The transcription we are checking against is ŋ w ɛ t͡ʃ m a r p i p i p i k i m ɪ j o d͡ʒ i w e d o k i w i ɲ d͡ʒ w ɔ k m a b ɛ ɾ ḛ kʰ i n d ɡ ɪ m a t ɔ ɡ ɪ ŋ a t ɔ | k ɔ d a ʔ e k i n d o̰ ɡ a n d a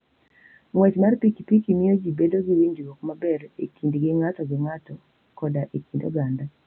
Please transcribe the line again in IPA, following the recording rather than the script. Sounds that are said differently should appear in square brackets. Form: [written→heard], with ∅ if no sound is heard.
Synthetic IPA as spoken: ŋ w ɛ t͡ʃ m a r p i [p→k] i p i k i m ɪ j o d͡ʒ i [w→b] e d o [k→ɡ] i w i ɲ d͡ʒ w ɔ k m a b ɛ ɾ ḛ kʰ i n d ɡ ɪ [m→ŋ] a t ɔ ɡ ɪ ŋ a t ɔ | k ɔ d a ʔ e k i n d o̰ ɡ a n d a